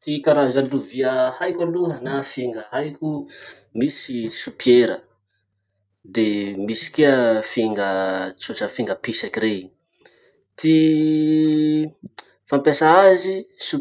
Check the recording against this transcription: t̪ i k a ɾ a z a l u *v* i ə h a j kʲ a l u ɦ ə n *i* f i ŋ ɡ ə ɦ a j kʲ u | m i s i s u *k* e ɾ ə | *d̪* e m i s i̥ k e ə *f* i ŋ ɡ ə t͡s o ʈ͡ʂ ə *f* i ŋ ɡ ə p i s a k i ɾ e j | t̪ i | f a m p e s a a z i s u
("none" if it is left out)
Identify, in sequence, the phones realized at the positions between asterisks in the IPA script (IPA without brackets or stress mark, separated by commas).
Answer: v, a, p, d̪, f, f